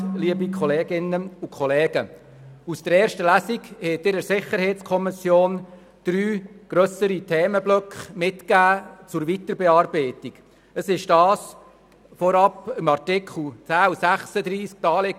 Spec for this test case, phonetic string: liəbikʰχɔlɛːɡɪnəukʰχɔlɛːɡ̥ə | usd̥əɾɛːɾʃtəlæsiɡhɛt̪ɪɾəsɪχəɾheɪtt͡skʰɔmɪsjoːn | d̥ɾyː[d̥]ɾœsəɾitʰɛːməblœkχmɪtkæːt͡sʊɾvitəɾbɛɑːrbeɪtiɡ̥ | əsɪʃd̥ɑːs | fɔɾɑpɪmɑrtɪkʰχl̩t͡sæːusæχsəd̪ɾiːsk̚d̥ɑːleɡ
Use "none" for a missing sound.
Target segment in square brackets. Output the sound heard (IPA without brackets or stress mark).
ɡ̥